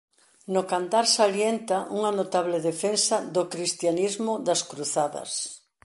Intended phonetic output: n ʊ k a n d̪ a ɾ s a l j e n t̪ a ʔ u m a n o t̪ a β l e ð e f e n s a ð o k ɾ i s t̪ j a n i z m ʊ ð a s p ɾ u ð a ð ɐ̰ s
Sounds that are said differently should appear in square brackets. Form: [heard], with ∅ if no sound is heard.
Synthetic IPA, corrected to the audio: n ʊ k a n [t̪] a ɾ s a l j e n t̪ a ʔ u [ŋ] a n o t̪ a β l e ð e f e n s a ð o k ɾ i s t̪ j a n i z m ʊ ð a s [k] ɾ u [θ] a ð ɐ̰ s